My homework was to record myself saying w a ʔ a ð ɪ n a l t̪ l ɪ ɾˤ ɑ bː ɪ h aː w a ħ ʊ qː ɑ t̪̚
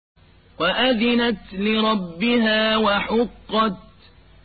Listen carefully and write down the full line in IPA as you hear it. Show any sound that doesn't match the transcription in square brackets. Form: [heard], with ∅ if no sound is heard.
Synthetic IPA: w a ʔ a ð ɪ n a [∅] t̪ l ɪ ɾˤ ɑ bː ɪ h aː w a ħ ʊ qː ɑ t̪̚